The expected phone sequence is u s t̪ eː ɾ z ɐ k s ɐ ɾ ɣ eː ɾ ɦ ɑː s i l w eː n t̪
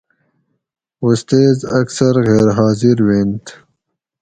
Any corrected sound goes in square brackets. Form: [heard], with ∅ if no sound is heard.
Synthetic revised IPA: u s t̪ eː [∅] z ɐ k s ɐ ɾ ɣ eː ɾ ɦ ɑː [z] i [ɾ] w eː n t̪

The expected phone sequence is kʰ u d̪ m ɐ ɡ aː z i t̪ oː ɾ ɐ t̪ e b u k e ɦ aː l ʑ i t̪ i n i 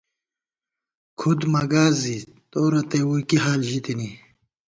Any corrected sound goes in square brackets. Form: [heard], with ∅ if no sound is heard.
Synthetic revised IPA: kʰ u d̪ m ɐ ɡ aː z i t̪ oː ɾ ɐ t̪ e [w] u k [i] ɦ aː l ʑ i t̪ i n i

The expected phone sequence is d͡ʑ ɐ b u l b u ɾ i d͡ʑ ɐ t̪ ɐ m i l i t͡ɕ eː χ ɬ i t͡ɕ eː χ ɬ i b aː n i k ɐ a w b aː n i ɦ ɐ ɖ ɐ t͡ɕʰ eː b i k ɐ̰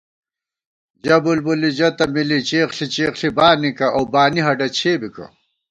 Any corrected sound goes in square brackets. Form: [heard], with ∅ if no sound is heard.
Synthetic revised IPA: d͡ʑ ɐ b u l b u [l] i d͡ʑ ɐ t̪ ɐ m i l i t͡ɕ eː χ ɬ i t͡ɕ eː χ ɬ i b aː n i k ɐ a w b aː n i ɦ ɐ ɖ ɐ t͡ɕʰ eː b i k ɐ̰

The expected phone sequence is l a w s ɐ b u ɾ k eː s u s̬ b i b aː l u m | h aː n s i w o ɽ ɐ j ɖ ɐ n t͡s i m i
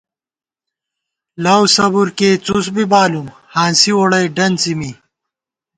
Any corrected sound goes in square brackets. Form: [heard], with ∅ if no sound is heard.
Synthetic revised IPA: l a w s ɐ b u ɾ k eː [t͡s] u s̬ b i b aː l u m | h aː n s i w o ɽ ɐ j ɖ ɐ n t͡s i m i

